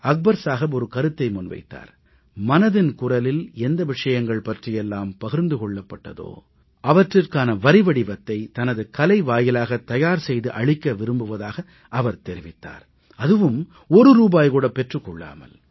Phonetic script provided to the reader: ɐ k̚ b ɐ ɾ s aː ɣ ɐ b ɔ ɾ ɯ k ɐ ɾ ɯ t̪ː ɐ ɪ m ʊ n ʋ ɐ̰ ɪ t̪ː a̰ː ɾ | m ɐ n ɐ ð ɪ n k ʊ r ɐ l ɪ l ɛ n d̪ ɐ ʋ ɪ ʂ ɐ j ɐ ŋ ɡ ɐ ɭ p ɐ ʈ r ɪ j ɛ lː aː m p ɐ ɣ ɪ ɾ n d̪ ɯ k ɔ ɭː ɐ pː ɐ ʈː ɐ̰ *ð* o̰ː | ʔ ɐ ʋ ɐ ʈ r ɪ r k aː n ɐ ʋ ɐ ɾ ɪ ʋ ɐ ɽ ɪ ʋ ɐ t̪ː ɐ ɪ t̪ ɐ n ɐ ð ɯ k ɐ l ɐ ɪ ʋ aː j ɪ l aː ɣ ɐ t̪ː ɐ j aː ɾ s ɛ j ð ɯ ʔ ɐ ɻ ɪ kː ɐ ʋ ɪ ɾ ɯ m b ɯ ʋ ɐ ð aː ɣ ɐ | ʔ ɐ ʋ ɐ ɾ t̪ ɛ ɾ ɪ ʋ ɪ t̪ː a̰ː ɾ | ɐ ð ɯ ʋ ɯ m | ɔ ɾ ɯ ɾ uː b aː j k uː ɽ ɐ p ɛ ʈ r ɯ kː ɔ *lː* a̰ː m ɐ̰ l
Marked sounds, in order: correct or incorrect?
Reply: correct, incorrect

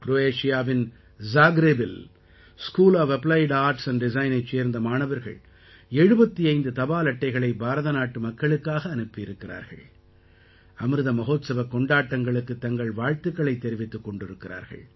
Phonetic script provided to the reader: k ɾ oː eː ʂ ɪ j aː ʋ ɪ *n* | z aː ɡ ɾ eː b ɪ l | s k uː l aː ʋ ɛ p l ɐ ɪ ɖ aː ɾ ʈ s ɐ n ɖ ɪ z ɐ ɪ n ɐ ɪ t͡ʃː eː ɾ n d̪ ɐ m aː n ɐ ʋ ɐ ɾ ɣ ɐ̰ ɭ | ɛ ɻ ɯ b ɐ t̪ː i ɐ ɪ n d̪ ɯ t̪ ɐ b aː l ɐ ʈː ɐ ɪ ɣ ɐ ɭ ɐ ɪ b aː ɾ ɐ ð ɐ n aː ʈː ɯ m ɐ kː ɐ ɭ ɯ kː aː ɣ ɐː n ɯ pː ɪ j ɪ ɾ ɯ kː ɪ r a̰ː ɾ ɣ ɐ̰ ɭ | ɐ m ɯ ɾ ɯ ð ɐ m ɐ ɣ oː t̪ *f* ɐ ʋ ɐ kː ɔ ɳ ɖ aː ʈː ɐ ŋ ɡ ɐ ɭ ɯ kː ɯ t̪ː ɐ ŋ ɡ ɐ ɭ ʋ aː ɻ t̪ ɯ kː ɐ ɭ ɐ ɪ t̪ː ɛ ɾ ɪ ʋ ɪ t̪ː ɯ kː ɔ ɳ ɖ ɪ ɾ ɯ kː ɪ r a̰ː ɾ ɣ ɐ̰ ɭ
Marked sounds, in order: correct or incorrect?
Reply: correct, incorrect

